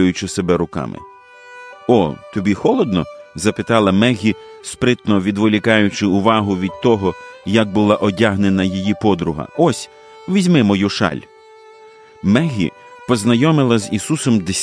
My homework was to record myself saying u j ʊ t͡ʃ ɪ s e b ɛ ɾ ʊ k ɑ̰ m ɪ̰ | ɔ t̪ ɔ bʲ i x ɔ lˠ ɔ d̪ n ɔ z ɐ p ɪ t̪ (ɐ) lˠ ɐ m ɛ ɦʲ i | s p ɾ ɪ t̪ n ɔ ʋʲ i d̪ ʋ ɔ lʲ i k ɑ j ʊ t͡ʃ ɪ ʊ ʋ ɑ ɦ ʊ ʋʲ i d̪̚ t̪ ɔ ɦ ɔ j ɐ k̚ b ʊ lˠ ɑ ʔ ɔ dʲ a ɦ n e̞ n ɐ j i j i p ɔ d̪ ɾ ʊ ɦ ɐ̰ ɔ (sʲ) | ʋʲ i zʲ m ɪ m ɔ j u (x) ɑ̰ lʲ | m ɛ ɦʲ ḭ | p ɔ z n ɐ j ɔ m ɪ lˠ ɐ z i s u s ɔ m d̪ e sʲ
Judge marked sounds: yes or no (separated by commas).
no, yes, no